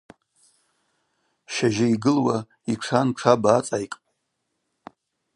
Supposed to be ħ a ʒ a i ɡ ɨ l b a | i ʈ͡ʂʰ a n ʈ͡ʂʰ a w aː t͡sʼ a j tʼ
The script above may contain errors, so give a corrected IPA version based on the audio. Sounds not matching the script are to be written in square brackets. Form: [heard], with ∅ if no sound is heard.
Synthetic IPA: [ʃ] a ʒ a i ɡ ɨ l [w] a | i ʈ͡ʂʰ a n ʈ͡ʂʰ a [b] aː t͡sʼ a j [kʼ]